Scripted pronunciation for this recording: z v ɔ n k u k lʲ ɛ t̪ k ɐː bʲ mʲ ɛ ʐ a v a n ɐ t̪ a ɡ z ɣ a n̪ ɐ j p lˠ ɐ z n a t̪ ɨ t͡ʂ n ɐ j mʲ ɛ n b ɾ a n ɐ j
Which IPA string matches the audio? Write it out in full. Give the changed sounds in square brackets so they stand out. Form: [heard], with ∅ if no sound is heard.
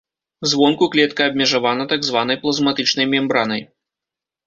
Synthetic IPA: z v ɔ n k u k lʲ ɛ t̪ k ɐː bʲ mʲ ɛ ʐ a v a n ɐ t̪ a ɡ z [v] a n̪ ɐ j p lˠ ɐ z [m] a t̪ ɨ t͡ʂ n ɐ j mʲ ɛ [m] b ɾ a n ɐ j